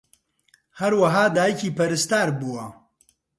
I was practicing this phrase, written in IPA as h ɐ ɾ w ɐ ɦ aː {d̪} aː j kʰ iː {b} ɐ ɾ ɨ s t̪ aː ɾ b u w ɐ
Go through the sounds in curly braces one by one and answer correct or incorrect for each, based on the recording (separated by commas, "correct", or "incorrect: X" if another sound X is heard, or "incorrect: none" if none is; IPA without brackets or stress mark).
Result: correct, incorrect: p